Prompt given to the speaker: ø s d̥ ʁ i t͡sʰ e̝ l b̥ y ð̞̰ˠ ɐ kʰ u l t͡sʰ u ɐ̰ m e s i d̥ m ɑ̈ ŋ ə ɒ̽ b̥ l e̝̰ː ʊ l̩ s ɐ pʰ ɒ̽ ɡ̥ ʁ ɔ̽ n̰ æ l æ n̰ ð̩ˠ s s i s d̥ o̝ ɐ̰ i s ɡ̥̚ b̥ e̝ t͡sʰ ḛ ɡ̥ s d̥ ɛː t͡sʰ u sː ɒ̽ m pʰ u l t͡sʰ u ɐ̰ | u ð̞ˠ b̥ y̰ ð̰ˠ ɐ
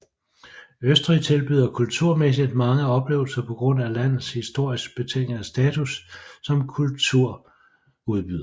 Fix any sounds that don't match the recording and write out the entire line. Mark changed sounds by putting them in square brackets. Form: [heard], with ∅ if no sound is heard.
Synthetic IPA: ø s d̥ ʁ i t͡sʰ e̝ l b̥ y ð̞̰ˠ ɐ kʰ u l t͡sʰ u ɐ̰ m e s i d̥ m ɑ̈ ŋ ə ɒ̽ b̥ l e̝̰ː ʊ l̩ s ɐ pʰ ɒ̽ ɡ̥ ʁ ɔ̽ n̰ æ l æ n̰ ð̩ˠ s [h] i s d̥ o̝ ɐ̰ i s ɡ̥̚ b̥ e̝ t͡sʰ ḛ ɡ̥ s d̥ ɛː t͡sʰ u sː ɒ̽ m [kʰ] u l t͡sʰ u ɐ̰ | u ð̞ˠ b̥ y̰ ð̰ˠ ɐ